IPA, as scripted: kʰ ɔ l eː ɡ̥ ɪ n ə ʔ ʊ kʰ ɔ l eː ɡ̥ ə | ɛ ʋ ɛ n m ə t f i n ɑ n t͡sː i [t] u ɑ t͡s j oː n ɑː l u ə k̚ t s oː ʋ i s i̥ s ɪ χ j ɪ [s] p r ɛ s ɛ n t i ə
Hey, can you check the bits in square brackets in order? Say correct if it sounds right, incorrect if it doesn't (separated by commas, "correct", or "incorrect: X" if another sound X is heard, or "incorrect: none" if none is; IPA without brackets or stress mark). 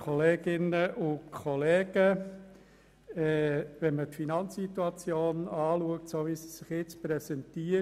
correct, incorrect: t͡s